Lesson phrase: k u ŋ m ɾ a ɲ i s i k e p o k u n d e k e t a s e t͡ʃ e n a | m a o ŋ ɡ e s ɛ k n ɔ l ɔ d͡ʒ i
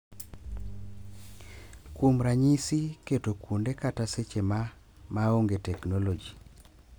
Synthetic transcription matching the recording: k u m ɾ a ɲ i s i k e t o k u n d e k a t a s e t͡ʃ e m a | m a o ŋ ɡ e t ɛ k n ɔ l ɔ d͡ʒ i